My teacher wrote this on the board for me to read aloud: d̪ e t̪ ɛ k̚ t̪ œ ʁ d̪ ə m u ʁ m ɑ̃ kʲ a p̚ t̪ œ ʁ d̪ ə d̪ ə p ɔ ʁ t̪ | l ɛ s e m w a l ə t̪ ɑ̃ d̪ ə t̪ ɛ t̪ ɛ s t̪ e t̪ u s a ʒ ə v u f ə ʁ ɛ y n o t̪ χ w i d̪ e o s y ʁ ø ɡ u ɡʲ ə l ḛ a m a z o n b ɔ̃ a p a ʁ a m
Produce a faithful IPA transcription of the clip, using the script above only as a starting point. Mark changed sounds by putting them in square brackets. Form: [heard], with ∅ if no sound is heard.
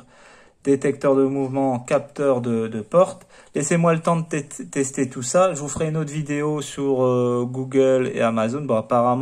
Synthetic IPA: d̪ e t̪ ɛ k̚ t̪ œ ʁ d̪ ə m u [v] m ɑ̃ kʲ a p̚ t̪ œ ʁ d̪ ə d̪ ə p ɔ ʁ t̪ | l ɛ s e m w a l ə t̪ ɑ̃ d̪ ə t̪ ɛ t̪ ɛ s t̪ e t̪ u s a ʒ ə v u f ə ʁ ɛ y n o t̪ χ [v] i d̪ e o s y ʁ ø ɡ u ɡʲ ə l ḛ a m a z o n b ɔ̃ a p a ʁ a m